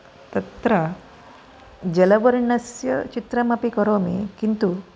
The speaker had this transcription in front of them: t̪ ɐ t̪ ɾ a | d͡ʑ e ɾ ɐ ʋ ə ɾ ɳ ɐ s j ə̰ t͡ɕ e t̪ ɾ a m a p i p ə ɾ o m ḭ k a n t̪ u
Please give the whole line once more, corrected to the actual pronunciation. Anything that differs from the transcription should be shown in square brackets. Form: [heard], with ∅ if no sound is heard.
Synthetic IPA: t̪ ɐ t̪ ɾ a | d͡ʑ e [l] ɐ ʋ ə ɾ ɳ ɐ s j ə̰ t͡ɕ [i] t̪ ɾ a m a p i [k] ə ɾ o m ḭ k [i] n t̪ u

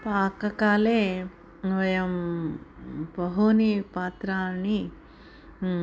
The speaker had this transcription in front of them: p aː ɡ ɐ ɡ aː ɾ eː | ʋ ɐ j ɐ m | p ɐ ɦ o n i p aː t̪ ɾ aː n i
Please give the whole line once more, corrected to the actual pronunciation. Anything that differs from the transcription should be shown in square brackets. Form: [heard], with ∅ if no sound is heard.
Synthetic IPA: p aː [k] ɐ [k] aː [l] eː | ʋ ɐ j ɐ m | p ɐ ɦ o n i p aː t̪ ɾ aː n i

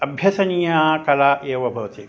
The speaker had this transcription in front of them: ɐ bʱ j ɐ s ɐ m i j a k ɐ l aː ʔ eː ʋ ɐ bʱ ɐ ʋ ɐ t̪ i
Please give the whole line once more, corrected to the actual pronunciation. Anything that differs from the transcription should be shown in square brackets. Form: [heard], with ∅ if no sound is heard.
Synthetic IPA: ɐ bʱ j ɐ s ɐ [n] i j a k ɐ l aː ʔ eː ʋ ɐ bʱ ɐ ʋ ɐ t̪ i

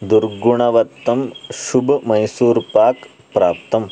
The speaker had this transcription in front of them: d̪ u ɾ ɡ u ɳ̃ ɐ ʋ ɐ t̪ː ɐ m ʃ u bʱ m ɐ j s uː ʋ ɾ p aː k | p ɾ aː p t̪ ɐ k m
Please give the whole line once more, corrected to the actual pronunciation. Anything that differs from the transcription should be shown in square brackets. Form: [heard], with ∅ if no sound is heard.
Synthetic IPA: d̪ u ɾ ɡ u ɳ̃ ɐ ʋ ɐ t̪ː ɐ m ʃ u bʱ m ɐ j s uː [∅] ɾ p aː k | p ɾ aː p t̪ ɐ [∅] m

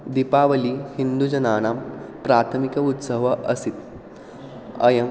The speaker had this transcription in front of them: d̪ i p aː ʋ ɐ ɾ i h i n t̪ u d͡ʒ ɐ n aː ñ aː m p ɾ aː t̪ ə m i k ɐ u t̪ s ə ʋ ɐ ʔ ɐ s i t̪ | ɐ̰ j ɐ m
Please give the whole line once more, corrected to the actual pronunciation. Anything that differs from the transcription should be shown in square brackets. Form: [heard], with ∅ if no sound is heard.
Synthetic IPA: d̪ i p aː ʋ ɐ [l] i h i n [d̪] u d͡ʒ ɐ n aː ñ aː m p ɾ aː [t̪ʰ] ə m i k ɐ u t̪ s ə ʋ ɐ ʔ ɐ s i t̪ | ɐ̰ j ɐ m

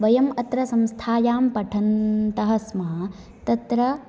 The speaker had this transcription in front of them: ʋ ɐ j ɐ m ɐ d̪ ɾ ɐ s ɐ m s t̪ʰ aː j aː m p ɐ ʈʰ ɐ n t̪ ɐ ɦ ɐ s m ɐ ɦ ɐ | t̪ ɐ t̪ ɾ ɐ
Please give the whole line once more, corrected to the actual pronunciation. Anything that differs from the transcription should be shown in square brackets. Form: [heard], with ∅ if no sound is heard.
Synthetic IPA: ʋ ɐ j ɐ m ɐ [t̪] ɾ ɐ s ɐ m s t̪ʰ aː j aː m p ɐ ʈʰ ɐ n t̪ ɐ ɦ ɐ s m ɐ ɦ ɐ | t̪ ɐ t̪ ɾ ɐ

